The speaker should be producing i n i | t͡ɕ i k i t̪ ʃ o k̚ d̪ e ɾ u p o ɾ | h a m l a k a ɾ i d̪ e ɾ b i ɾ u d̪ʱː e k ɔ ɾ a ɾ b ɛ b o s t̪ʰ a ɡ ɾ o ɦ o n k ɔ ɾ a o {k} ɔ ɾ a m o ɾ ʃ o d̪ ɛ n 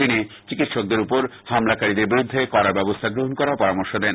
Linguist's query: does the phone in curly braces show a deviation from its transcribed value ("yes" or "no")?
yes